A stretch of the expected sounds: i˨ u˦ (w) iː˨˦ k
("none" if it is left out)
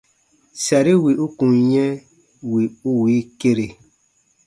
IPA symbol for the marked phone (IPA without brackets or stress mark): w